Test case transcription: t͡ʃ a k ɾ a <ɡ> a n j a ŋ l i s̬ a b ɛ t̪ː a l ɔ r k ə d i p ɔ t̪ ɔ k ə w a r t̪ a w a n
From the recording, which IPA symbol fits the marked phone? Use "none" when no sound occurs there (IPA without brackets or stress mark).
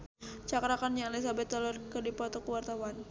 k